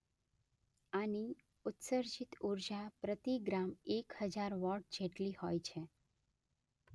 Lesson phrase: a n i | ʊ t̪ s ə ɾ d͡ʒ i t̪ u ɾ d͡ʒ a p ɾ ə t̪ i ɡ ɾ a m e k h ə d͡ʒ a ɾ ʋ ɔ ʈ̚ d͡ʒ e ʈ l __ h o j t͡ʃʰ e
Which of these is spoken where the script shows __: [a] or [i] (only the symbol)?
i